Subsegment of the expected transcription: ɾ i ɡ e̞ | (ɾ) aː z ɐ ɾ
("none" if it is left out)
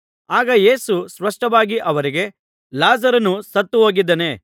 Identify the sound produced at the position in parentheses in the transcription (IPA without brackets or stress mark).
l